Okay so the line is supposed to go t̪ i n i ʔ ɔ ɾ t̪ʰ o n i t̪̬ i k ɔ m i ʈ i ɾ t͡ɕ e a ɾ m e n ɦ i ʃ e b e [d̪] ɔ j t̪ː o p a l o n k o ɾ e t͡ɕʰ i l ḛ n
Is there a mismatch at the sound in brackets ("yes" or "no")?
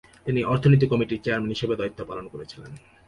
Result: no